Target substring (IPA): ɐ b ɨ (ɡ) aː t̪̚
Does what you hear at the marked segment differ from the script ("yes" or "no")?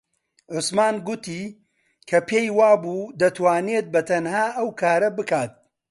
yes